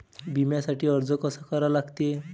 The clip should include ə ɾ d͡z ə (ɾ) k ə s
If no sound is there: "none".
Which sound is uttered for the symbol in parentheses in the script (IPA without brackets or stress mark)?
none